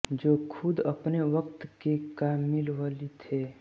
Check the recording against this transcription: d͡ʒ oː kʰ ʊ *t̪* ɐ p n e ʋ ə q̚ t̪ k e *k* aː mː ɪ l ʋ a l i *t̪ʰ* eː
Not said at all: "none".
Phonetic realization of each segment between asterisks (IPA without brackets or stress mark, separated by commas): d̪, k, t̪ʰ